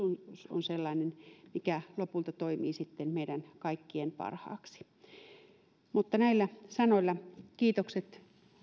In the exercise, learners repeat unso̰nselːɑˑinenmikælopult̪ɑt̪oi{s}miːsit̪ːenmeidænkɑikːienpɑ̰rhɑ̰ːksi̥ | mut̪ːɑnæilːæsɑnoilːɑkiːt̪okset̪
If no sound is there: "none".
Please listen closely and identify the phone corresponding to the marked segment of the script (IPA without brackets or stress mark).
none